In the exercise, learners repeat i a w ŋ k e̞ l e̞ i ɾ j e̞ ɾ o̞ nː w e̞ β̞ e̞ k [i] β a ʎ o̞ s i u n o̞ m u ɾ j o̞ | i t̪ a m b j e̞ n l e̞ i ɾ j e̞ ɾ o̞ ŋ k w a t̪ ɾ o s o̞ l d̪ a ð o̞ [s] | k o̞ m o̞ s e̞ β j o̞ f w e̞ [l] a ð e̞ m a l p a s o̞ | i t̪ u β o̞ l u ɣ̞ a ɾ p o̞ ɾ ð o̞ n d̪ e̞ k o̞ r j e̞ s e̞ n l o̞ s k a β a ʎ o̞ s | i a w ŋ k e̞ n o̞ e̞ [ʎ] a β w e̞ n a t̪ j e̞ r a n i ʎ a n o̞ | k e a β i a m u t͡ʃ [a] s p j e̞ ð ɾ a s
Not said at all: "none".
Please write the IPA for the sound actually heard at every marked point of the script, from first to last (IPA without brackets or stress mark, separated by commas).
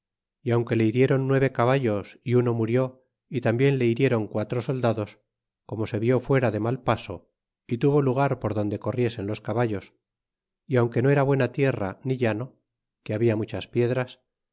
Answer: a, s, ɾ, ɾ, a